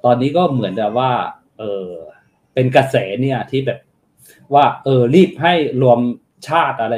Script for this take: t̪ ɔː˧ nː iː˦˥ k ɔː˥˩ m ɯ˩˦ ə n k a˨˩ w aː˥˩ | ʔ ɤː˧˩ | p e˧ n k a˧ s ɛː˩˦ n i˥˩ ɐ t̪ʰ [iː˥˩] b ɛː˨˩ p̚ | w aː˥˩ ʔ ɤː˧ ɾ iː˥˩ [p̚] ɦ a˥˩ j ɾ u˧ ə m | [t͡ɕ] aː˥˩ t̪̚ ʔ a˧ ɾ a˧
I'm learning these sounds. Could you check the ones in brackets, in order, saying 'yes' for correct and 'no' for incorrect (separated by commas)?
yes, yes, no